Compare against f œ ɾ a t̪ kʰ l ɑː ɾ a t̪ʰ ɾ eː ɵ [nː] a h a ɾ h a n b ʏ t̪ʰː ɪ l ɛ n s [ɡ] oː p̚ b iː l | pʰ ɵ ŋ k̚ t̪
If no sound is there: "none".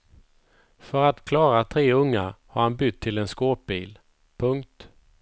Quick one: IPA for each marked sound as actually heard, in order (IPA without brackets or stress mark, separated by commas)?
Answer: ŋː, k